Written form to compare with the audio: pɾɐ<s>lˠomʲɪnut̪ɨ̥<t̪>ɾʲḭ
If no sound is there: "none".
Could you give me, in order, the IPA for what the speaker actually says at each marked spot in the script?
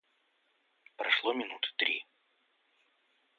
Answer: ʂ, t̪

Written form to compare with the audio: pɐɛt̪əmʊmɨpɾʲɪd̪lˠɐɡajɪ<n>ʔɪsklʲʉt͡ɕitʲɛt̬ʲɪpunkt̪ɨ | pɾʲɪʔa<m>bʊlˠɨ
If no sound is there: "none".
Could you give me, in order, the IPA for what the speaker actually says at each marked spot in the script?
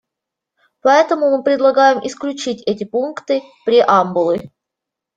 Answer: m, m

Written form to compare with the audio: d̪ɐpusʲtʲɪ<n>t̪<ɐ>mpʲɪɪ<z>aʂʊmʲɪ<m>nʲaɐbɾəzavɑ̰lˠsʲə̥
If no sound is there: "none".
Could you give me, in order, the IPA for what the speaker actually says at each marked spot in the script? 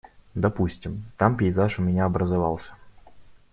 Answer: m, a, z, none

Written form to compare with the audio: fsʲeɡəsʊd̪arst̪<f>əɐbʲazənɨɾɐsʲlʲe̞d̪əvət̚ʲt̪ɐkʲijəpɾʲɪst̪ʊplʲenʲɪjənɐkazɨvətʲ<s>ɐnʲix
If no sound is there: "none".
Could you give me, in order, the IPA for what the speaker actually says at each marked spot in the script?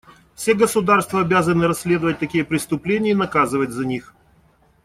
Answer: v, z

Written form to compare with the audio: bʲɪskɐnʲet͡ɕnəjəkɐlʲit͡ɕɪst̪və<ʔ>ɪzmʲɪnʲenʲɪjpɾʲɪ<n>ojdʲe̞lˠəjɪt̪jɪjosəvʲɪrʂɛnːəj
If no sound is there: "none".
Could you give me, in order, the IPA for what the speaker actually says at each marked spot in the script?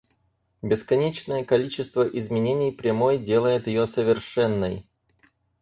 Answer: ʔ, m

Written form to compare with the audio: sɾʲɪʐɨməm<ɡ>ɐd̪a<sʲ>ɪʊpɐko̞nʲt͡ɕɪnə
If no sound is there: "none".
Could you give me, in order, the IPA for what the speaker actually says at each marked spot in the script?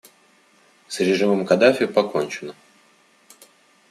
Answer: k, fʲ

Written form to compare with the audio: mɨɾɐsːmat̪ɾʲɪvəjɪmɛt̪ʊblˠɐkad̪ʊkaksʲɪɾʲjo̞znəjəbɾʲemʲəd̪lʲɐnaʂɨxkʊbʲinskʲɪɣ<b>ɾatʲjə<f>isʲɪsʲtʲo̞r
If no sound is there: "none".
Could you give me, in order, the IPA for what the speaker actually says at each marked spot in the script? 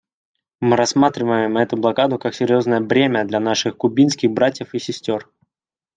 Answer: b, f

